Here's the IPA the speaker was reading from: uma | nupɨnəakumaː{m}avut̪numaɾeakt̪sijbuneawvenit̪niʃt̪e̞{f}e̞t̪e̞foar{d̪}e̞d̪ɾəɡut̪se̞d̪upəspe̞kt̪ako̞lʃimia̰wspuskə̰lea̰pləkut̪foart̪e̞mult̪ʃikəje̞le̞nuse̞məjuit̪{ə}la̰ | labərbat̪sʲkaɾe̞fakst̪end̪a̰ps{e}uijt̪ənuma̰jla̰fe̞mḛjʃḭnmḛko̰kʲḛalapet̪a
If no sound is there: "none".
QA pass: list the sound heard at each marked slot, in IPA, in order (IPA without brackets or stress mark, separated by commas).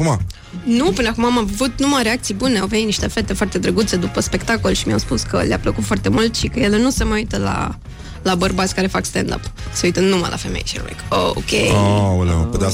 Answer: m, f, t̪, ə, e